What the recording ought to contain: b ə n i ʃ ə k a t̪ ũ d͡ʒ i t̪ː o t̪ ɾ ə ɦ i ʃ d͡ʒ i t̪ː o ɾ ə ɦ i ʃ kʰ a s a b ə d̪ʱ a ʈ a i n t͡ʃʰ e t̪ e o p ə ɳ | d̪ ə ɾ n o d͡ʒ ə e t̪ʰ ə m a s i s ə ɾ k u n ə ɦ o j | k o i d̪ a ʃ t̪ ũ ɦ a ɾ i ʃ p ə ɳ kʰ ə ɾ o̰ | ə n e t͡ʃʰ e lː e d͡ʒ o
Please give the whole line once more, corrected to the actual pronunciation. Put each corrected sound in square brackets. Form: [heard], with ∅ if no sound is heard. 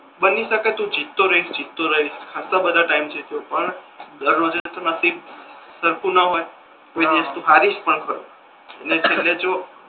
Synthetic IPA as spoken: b ə n i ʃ ə k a t̪ ũ d͡ʒ i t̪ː o [∅] ɾ ə ɦ i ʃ d͡ʒ i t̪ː o ɾ ə ɦ i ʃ kʰ a s a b ə d̪ʱ a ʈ a i [m] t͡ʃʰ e t̪ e o p ə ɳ | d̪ ə ɾ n o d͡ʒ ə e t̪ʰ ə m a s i s ə ɾ k u n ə ɦ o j | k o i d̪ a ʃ t̪ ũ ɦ a ɾ i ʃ p ə ɳ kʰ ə ɾ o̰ | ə n e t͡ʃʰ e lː e d͡ʒ o